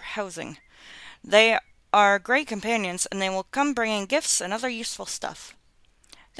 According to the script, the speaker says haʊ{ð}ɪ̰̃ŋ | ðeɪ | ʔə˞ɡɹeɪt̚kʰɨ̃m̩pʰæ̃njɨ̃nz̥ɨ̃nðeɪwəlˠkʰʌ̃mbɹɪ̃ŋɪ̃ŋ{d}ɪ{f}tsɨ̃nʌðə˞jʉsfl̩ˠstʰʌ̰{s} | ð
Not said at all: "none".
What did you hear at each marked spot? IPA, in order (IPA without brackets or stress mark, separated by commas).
z, ɡ, f, f